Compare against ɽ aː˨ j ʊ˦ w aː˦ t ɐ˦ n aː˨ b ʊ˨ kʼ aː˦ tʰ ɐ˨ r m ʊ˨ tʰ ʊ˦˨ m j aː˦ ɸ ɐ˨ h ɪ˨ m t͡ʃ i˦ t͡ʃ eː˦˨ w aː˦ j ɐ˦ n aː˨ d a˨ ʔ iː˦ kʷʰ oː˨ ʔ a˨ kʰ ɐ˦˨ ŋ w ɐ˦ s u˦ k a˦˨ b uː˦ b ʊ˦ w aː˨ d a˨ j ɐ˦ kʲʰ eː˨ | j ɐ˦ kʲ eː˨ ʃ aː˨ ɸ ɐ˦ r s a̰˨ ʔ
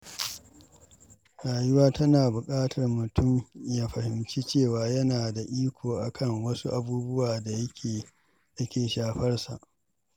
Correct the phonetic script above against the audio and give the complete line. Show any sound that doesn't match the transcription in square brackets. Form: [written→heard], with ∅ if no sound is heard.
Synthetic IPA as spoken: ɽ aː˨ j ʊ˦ w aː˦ t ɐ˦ n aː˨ b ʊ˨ kʼ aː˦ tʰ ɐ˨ r m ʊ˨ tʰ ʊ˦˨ m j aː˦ ɸ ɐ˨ h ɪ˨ m t͡ʃ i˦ t͡ʃ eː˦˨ w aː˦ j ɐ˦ n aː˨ d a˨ ʔ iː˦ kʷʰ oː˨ ʔ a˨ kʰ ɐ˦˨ ŋ w ɐ˦ s u˦ [k→ʔ] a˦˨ b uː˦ b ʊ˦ w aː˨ d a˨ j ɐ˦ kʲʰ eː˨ | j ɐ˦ kʲ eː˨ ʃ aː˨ ɸ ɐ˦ r s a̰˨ ʔ